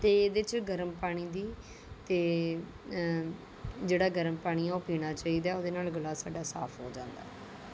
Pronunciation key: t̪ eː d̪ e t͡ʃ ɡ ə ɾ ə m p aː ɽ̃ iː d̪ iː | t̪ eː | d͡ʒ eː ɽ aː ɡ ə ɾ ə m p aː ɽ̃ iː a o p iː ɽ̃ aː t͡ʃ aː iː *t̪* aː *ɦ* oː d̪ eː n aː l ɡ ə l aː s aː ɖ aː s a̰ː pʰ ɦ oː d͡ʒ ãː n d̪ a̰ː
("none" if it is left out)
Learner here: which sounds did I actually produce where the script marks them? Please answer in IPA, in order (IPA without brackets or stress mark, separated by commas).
d̪, none